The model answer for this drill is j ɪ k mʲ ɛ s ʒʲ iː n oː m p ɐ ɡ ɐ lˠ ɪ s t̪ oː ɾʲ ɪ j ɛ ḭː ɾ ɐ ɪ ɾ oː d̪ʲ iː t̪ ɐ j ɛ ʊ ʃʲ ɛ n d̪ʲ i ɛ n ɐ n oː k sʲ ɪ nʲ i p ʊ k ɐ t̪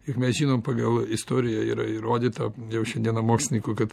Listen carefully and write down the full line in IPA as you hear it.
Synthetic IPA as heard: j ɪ k mʲ ɛ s ʒʲ iː n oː m p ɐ ɡ ɐ lˠ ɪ s t̪ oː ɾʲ ɪ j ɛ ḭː ɾ ɐ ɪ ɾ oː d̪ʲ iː t̪ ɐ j ɛ ʊ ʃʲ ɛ n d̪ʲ i ɛ n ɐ m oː k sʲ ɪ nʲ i k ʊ k ɐ t̪

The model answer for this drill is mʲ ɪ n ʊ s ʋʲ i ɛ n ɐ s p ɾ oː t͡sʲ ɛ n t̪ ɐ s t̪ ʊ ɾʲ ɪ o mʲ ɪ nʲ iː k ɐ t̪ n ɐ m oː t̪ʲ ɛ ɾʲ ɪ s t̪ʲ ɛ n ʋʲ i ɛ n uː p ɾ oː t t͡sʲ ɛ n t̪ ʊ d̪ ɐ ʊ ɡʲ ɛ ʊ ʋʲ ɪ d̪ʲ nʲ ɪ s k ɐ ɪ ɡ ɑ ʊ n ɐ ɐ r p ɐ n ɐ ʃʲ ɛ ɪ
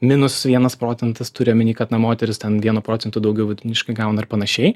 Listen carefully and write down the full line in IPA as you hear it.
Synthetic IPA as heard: mʲ ɪ n ʊ s ʋʲ i ɛ n ɐ s p ɾ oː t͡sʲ ɛ n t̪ ɐ s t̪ ʊ ɾʲ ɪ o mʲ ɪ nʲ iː k ɐ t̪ n ɐ m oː t̪ʲ ɛ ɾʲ ɪ s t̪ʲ ɛ n ʋʲ i ɛ n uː p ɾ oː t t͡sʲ ɛ n t̪ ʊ d̪ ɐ ʊ ɡʲ ɛ ʊ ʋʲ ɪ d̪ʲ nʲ ɪ ʃ k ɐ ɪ ɡ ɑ ʊ n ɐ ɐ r p ɐ n ɐ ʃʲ ɛ ɪ

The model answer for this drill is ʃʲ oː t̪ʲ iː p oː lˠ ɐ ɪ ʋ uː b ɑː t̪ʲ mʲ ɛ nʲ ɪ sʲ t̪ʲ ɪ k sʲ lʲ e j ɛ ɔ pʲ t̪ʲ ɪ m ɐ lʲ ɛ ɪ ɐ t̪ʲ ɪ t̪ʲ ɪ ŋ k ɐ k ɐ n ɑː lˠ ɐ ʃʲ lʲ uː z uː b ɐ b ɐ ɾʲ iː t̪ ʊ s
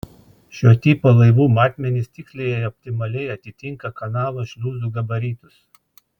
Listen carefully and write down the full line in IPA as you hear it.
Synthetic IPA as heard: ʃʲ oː t̪ʲ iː p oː lˠ ɐ ɪ ʋ uː m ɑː t̪ʲ mʲ ɛ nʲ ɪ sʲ t̪ʲ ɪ k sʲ lʲ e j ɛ ɔ pʲ t̪ʲ ɪ m ɐ lʲ ɛ ɪ ɐ t̪ʲ ɪ t̪ʲ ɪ ŋ k ɐ k ɐ n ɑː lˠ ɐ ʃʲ lʲ uː z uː ɡ ɐ b ɐ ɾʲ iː t̪ ʊ s

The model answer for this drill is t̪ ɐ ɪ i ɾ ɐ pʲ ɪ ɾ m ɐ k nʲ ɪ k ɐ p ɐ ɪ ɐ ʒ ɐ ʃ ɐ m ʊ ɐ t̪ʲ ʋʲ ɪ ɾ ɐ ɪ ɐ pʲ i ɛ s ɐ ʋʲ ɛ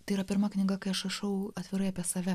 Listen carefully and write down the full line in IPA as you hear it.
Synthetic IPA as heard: t̪ ɐ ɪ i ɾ ɐ pʲ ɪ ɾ m ɐ k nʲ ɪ ɡ ɐ k ɐ ɪ ɐ ʃ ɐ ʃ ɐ ʊ ɐ t̪ʲ ʋʲ ɪ ɾ ɐ ɪ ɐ pʲ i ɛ s ɐ ʋʲ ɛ

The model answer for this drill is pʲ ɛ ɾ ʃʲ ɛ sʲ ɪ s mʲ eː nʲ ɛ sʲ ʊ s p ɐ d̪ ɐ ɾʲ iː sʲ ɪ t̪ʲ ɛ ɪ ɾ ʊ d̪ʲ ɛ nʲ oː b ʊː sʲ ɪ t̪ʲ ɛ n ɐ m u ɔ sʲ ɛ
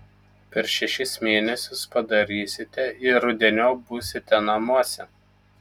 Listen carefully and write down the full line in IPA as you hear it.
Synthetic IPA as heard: pʲ ɛ ɾ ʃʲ ɛ ʃʲ ɪ s mʲ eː nʲ ɛ sʲ ʊ s p ɐ d̪ ɐ ɾʲ iː sʲ ɪ t̪ʲ ɛ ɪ ɾ ʊ d̪ʲ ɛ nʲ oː b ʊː sʲ ɪ t̪ʲ ɛ n ɐ m u ɔ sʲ ɛ

